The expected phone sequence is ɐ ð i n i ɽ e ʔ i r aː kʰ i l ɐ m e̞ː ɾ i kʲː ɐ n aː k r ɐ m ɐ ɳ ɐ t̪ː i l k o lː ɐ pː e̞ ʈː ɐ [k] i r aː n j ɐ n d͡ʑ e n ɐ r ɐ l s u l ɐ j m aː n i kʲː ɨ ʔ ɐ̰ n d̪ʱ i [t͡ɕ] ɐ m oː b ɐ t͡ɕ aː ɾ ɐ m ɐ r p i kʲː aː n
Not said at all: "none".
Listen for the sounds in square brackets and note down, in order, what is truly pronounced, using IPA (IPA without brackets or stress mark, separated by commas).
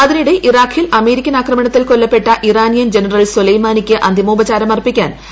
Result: ʔ, none